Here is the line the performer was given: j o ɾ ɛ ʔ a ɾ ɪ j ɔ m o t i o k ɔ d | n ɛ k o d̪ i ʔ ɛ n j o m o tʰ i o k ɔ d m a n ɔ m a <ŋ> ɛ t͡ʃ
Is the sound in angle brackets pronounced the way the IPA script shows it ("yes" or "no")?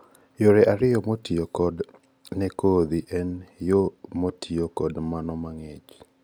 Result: yes